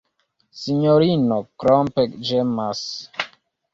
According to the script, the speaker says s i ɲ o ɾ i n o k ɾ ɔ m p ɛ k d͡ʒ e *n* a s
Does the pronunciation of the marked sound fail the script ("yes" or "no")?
yes